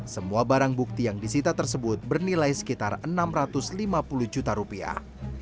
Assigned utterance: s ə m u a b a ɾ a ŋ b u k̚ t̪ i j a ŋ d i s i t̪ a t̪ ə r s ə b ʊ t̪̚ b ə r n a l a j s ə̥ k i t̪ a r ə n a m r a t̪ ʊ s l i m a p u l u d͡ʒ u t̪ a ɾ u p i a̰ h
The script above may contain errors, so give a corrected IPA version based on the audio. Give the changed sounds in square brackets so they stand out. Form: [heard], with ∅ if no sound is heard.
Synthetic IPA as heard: s ə m u a b a ɾ a ŋ b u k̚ t̪ i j a ŋ d i s i t̪ a t̪ ə r s ə b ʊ t̪̚ b ə r n [i] l a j s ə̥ k i t̪ a r ə n a m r a t̪ ʊ s l i m a p u l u d͡ʒ u t̪ a ɾ u p i a̰ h